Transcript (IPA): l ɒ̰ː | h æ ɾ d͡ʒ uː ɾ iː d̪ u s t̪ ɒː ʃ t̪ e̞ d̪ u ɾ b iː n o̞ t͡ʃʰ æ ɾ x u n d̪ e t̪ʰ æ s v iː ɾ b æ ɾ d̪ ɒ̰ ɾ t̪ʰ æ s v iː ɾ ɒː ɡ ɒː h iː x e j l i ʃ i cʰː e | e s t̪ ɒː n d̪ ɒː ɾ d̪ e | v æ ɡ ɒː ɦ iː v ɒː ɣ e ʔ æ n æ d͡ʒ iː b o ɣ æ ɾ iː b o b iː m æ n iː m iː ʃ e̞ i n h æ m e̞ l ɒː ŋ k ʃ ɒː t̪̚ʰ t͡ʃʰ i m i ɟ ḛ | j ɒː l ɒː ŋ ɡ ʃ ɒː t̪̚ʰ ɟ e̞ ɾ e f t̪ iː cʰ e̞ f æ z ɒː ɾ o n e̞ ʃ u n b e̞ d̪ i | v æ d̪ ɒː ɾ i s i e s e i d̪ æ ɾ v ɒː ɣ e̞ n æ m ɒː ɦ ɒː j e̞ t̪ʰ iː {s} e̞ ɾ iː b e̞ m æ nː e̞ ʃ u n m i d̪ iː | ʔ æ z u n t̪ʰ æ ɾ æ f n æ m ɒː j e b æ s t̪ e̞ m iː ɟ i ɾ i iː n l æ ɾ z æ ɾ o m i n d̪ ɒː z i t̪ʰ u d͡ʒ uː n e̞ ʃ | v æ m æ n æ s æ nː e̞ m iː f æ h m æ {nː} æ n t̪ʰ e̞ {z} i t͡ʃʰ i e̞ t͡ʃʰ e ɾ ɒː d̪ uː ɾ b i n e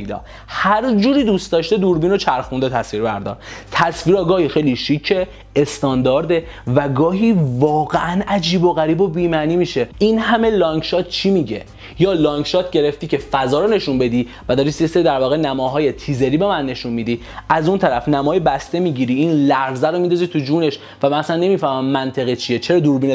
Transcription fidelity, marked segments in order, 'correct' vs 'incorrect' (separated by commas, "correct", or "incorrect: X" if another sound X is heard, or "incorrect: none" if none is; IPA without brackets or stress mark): incorrect: z, incorrect: mː, incorrect: ɣ